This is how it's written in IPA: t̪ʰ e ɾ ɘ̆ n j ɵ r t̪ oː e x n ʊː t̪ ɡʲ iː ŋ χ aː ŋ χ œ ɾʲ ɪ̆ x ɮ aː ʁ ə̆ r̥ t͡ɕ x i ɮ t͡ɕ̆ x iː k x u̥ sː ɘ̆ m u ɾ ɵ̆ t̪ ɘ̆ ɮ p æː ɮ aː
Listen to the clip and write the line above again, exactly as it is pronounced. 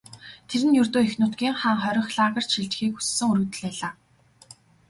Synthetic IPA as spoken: t̪ʰ e ɾ ɘ̆ n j ɵ r t̪ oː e x n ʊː t̪ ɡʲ iː ŋ χ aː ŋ χ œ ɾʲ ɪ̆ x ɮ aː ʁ ə̆ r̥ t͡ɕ ʃ i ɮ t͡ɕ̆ x iː k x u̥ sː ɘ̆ ŋ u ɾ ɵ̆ t̪ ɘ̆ ɮ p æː ɮ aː